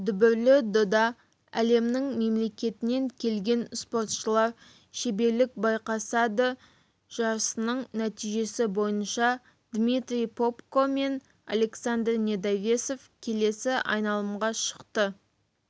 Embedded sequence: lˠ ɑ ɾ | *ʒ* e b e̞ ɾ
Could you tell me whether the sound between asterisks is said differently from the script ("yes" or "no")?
yes